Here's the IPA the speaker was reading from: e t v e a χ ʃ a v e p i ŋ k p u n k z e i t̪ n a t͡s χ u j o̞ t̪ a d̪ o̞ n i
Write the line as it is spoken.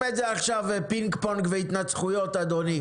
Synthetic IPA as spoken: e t z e a χ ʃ a v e p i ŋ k p o n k v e i t̪ n a t͡s χ u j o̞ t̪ a d̪ o̞ n i